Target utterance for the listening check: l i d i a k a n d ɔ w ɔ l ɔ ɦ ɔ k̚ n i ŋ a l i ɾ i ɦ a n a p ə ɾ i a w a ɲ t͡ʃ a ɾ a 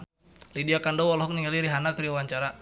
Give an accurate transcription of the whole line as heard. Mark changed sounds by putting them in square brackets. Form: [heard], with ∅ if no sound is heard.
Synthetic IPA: l i d i a k a n d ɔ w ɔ l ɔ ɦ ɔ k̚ n i ŋ a l i ɾ i ɦ a n a [k] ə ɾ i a w a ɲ t͡ʃ a ɾ a